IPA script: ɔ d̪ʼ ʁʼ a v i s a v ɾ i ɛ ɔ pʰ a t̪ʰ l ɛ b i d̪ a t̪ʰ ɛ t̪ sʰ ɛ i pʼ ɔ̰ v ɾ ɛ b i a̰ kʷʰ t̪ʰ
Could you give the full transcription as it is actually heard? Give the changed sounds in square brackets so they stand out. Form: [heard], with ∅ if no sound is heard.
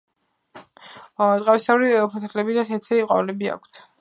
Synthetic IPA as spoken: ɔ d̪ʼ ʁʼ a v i s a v ɾ i ɛ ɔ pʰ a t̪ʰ l ɛ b i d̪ a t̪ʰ ɛ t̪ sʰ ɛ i [qʼ] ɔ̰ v [l] ɛ b i a̰ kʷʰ t̪ʰ